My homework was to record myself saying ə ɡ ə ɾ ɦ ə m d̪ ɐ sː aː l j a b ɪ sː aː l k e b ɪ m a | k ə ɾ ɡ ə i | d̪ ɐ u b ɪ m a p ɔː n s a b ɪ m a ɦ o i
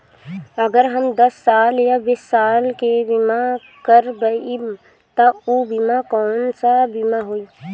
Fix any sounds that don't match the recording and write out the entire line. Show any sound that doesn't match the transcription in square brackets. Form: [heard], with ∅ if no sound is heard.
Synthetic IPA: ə ɡ ə ɾ ɦ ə m d̪ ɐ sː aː l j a b ɪ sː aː l k e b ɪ m a | k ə ɾ [b] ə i | [t̪] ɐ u b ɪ m a [k] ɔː n s a b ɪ m a ɦ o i